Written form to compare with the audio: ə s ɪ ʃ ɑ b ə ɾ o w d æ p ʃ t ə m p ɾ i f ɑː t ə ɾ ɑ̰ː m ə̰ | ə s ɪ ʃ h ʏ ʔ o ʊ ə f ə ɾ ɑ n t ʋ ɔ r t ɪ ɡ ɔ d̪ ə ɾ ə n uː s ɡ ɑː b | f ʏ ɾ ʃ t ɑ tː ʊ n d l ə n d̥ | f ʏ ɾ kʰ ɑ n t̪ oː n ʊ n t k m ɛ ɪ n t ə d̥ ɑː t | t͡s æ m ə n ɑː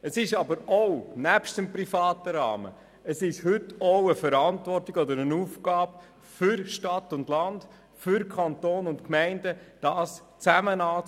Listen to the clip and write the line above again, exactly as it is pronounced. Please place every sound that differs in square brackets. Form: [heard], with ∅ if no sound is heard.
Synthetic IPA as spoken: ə s ɪ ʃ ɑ b ə ɾ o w [n] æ p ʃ t ə m p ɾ i f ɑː t ə ɾ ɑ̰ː m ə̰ | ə s ɪ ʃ h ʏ [t] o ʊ ə f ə ɾ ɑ n t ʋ ɔ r t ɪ ɡ ɔ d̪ ə ɾ ə n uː [f] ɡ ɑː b | f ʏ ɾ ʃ t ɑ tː ʊ n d l [ɑ] n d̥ | f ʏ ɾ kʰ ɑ n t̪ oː n ʊ n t k m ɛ ɪ n [d] ə d̥ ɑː [s] | t͡s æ m ə n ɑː